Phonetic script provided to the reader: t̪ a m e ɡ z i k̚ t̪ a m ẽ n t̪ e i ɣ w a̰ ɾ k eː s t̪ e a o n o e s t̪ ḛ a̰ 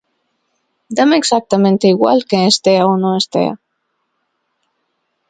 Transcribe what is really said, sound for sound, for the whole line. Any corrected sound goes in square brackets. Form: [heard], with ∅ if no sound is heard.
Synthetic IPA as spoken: [d̪] a m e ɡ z [a] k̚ t̪ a m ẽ n t̪ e i ɣ w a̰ [l] k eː s t̪ e a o n o e s t̪ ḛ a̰